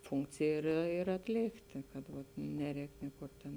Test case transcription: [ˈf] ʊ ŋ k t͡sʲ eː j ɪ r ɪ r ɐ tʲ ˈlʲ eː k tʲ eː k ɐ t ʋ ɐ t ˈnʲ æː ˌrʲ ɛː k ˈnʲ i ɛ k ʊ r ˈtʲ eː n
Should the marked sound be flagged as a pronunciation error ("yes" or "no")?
no